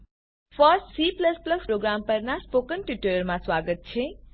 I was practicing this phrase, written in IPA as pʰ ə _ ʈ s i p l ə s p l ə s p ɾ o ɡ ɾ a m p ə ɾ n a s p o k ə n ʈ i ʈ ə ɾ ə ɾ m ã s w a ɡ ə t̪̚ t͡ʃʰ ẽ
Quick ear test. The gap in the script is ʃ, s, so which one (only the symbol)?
s